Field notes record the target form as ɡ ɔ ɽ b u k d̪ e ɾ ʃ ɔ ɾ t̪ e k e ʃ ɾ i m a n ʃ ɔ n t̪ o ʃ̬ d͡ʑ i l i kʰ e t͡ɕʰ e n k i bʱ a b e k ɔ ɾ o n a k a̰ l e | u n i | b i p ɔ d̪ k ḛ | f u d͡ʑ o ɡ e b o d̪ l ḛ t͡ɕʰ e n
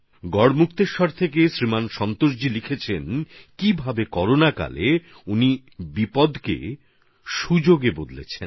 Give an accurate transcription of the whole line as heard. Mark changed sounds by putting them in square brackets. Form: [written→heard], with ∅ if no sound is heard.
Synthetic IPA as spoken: ɡ ɔ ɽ [b→m] u k [d̪→t̪] e ɾ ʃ ɔ ɾ [t̪→t̪ʰ] e k e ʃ ɾ i m a n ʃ ɔ n t̪ o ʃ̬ d͡ʑ i l i kʰ e t͡ɕʰ e n k i bʱ a b e k ɔ ɾ o n a k a̰ l e | u n i | b i p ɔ d̪ k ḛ | [f→ʃ] u d͡ʑ o ɡ e b o d̪ l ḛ t͡ɕʰ e n